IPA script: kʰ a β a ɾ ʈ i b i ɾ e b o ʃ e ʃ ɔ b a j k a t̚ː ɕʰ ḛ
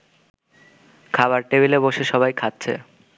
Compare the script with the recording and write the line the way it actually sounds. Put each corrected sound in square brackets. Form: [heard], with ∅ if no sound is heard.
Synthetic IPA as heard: kʰ a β a ɾ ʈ [e] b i [l] e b o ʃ e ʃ ɔ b a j [kʰ] a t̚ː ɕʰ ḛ

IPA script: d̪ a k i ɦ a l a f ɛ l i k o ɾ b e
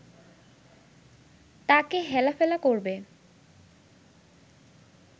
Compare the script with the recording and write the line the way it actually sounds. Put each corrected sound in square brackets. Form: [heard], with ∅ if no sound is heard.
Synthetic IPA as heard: [t̪] a k [e] ɦ [ɛ] l a f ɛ l [a] k o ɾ b e

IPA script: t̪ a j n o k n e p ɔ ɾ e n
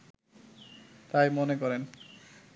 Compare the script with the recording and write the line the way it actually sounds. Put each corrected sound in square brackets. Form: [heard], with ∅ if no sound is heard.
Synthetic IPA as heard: t̪ a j [m] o [∅] n e [k] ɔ ɾ e n

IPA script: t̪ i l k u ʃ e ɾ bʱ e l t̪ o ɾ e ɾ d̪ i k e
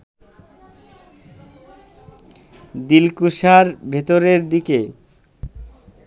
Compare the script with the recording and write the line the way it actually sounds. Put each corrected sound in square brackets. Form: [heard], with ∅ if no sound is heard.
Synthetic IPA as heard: [d̪] i l k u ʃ [a] ɾ bʱ e [∅] t̪ o ɾ e ɾ d̪ i k e

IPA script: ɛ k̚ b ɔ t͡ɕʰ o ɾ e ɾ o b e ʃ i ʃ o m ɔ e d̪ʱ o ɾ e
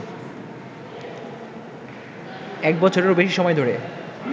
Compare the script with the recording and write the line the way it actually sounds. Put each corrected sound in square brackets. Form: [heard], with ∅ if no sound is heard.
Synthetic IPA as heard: ɛ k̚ b ɔ t͡ɕʰ o ɾ e ɾ o b e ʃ i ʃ [ɔ] m ɔ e d̪ʱ o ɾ e

